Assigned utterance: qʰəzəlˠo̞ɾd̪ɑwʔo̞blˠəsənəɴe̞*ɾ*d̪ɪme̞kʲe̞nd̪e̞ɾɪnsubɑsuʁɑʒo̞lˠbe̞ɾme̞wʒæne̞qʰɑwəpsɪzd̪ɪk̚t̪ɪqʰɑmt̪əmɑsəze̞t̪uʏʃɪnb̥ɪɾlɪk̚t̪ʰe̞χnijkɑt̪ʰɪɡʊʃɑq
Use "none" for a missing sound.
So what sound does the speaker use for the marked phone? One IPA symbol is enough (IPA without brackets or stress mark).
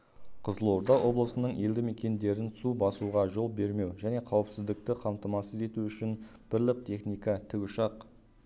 l